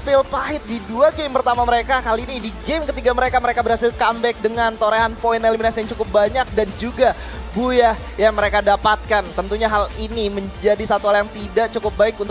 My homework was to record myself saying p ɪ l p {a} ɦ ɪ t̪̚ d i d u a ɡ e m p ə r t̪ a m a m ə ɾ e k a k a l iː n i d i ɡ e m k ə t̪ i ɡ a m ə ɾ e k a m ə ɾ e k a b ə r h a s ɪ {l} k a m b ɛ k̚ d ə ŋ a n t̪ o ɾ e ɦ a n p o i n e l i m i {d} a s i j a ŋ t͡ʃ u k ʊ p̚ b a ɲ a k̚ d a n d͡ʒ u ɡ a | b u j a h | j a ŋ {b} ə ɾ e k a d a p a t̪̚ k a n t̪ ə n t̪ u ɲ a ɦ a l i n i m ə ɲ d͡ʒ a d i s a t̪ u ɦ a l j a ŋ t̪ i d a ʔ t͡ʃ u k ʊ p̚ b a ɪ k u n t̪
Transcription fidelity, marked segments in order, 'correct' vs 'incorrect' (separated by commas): correct, correct, incorrect, incorrect